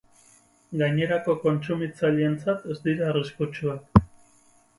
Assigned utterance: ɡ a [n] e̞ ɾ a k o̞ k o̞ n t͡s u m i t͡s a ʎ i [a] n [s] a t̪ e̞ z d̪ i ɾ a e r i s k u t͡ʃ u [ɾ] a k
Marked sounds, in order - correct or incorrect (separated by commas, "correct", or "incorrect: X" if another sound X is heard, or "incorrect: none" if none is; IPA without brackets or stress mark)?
incorrect: ɲ, incorrect: e, incorrect: t͡s, incorrect: none